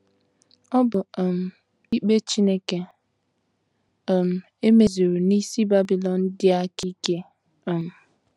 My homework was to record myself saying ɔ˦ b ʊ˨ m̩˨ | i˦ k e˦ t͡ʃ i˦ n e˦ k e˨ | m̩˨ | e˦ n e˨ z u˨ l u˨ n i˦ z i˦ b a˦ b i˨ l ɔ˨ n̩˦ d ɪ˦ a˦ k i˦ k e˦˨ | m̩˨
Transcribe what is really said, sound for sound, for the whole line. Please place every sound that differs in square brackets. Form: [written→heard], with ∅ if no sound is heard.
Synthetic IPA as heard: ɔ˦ b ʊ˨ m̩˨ | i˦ [k→k͡p] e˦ t͡ʃ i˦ n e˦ k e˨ | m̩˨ | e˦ [n→m] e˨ z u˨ [l→ɾ] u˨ n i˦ [z→s] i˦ b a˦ b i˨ l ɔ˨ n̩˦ d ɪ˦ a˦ k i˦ k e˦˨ | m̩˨